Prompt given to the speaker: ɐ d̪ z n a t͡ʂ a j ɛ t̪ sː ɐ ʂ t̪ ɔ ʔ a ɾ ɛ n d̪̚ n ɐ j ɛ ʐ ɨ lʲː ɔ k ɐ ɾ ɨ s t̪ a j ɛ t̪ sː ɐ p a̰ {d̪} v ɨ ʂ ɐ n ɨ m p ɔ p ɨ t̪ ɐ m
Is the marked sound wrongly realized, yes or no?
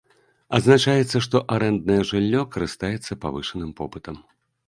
yes